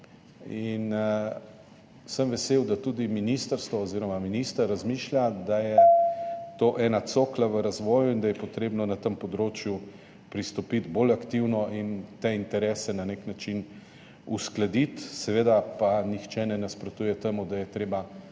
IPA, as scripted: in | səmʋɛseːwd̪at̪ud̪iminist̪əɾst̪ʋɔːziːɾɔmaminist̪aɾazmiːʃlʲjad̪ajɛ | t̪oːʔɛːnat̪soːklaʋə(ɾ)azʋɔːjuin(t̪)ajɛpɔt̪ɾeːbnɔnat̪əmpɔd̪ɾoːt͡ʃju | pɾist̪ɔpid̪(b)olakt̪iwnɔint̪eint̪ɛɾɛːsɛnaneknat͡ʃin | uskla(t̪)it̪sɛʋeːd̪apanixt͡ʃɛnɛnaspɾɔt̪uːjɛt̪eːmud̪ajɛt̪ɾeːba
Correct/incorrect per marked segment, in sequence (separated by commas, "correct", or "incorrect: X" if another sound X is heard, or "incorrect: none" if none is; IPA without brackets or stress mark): correct, incorrect: d̪, correct, incorrect: d̪